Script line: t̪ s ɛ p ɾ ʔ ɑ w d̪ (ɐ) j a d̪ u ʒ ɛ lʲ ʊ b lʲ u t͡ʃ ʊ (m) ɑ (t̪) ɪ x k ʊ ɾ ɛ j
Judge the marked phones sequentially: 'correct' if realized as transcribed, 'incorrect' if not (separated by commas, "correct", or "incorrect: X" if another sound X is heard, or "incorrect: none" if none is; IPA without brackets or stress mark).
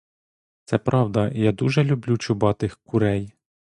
correct, incorrect: b, correct